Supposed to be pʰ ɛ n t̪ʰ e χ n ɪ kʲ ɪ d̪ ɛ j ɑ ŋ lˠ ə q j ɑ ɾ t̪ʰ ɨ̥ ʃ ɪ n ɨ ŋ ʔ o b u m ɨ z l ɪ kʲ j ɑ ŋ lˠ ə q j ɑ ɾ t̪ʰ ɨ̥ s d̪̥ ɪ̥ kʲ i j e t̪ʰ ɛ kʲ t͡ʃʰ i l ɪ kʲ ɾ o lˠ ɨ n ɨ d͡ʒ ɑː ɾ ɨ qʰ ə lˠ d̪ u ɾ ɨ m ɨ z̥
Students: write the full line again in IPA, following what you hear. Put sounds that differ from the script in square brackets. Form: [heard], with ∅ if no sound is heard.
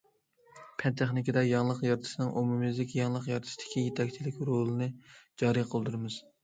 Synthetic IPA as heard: pʰ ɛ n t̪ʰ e χ n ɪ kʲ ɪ d̪ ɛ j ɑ ŋ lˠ ə q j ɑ ɾ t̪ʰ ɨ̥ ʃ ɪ n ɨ ŋ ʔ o [m] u m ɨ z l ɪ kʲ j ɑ ŋ lˠ ə q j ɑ ɾ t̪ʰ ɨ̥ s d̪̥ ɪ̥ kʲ i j e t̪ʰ ɛ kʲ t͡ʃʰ i l ɪ kʲ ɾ o lˠ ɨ n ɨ d͡ʒ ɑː ɾ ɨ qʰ ə lˠ d̪ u ɾ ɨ m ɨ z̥